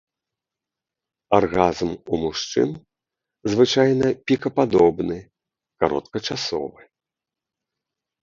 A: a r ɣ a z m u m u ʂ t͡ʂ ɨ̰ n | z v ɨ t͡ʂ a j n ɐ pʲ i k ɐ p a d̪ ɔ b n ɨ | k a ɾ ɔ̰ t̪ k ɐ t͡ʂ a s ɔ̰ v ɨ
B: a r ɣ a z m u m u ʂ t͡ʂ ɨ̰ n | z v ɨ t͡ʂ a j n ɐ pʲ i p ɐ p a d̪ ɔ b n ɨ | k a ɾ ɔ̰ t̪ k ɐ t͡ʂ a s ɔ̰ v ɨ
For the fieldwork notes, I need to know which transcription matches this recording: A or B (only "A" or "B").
A